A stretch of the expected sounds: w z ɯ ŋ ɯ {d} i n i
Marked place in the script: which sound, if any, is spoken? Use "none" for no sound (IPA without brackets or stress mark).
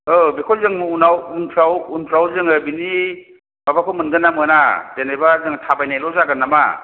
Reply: b